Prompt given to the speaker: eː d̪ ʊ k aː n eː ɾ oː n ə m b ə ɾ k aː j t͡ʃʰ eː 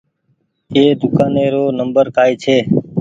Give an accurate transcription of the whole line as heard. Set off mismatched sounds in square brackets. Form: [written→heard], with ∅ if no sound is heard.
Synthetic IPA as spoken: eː d̪ ʊ k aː n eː ɾ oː n ə m b ə ɾ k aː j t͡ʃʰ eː